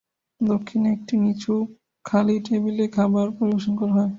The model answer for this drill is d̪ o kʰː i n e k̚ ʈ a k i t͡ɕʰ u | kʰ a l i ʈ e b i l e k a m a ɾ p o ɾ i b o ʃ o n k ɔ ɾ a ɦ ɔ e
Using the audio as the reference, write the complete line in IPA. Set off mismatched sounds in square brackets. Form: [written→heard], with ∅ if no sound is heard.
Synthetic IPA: d̪ o kʰː i n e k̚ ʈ [a→i] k i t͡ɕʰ u | kʰ a l i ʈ e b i l e [k→kʰ] a [m→b] a ɾ p o ɾ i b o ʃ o n k ɔ ɾ a ɦ ɔ e